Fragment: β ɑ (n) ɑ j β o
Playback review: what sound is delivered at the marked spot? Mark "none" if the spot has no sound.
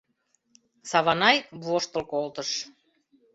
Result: n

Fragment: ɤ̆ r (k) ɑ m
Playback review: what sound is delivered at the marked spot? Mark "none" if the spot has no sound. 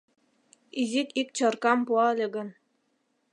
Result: k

